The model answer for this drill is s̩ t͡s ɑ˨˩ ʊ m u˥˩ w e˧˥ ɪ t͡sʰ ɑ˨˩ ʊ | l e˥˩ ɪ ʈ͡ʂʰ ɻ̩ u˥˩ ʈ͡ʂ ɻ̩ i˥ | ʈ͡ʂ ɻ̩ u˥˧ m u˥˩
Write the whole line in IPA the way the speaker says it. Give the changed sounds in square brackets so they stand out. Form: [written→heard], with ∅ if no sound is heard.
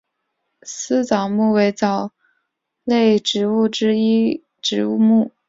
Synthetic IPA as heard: s̩ t͡s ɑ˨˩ ʊ m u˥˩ w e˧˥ ɪ [t͡sʰ→t͡s] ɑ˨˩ ʊ | l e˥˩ ɪ [ʈ͡ʂʰ→ʈ͡ʂ] ɻ̩ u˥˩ ʈ͡ʂ ɻ̩ i˥ | ʈ͡ʂ ɻ̩ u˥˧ m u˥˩